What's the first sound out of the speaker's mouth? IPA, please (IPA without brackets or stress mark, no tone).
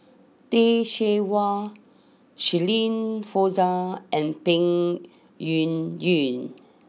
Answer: t